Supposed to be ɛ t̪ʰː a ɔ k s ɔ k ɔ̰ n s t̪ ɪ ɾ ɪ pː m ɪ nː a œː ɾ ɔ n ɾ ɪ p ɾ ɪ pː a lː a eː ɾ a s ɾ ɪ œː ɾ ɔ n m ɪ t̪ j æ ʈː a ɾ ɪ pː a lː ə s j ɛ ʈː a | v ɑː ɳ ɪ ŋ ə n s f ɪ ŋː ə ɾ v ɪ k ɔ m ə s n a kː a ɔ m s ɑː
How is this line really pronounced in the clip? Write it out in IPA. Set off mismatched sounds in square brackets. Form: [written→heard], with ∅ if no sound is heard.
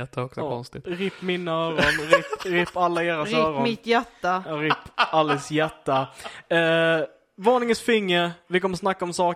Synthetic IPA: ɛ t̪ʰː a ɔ k s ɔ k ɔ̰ n s t̪ ɪ ɾ ɪ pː m ɪ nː a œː ɾ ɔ n ɾ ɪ p ɾ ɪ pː a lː a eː ɾ a s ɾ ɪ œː ɾ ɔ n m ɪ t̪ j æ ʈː a ɾ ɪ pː a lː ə s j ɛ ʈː a | v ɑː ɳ ɪ ŋ ə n s f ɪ ŋː ə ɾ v ɪ k ɔ m ə s n a kː a ɔ m s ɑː